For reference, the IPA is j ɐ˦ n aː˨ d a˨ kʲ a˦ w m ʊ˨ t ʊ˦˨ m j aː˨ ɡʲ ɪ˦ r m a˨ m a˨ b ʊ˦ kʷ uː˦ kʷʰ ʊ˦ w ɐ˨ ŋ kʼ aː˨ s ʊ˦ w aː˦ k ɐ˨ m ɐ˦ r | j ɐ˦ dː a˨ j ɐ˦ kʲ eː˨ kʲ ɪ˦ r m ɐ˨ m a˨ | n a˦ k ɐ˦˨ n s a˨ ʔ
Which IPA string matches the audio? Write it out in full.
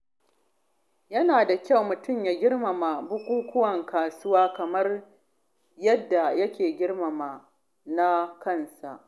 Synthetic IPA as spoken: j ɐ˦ n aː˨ d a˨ kʲ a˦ w m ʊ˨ t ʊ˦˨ m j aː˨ ɡʲ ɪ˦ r m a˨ m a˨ b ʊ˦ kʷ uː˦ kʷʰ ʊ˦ w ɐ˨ ŋ k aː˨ s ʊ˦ w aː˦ k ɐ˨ m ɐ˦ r | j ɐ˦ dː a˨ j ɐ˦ kʲ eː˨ ɡʲ ɪ˦ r m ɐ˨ m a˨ | n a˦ k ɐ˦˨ n s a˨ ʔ

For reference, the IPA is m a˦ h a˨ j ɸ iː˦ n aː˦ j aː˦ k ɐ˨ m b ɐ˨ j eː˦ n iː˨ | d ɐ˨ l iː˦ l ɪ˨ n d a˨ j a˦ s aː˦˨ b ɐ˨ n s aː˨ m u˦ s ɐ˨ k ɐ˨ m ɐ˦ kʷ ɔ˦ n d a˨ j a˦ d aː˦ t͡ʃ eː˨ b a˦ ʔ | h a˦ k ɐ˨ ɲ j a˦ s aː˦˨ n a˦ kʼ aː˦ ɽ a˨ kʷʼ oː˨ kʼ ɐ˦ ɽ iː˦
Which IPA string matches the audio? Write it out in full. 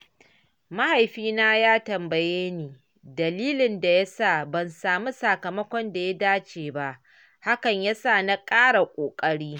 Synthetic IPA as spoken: m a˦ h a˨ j ɸ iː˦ n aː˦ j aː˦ t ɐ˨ m b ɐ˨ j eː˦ n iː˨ | d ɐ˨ l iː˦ l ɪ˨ n d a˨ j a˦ s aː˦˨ b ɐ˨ n s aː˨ m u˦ s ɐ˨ k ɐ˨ m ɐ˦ kʷ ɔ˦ n d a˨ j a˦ d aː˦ t͡ʃ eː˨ b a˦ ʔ | h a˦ k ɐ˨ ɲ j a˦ s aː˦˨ n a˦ kʼ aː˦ ɽ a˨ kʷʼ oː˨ kʼ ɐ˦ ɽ iː˦

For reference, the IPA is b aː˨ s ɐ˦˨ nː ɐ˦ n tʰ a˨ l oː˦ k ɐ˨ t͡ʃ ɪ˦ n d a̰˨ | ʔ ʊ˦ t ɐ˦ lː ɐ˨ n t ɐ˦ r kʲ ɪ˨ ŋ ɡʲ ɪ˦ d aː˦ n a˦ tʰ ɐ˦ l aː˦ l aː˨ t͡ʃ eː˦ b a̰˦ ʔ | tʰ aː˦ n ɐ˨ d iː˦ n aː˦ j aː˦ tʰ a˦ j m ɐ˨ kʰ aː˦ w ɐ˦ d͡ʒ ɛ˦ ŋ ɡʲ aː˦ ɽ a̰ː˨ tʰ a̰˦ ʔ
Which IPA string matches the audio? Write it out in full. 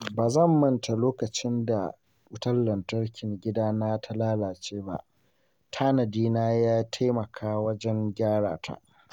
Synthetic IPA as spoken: b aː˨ z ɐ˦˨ mː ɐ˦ n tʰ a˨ l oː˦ k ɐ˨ t͡ʃ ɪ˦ n d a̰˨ | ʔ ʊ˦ t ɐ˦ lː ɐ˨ n t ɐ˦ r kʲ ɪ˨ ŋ ɡʲ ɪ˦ d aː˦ n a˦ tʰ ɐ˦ l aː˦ l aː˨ t͡ʃ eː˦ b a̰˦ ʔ | tʰ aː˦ n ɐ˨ d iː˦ n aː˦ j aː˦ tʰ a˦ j m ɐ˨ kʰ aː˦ w ɐ˦ d͡ʒ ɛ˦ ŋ ɡʲ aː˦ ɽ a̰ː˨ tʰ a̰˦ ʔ

